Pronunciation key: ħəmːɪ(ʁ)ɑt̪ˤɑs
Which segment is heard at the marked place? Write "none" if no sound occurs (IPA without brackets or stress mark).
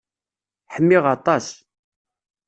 ʁ